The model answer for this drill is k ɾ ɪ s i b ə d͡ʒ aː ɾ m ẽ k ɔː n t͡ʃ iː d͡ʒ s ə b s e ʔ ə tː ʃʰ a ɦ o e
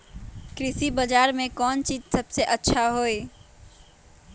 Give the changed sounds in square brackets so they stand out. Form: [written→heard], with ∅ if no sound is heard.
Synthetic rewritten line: k ɾ ɪ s i b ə d͡ʒ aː ɾ m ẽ k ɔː n t͡ʃ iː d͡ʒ s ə b s e ʔ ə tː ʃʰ a ɦ o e